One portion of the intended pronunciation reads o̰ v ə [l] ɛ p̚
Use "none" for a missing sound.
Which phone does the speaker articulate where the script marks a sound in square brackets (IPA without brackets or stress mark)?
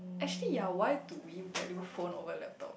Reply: l